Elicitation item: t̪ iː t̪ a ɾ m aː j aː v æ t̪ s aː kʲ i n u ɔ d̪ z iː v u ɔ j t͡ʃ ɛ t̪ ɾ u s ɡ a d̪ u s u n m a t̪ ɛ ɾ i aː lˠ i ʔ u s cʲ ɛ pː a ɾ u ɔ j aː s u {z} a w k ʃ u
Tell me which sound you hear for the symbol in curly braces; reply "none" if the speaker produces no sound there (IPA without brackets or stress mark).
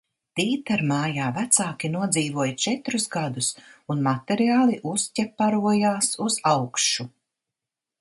z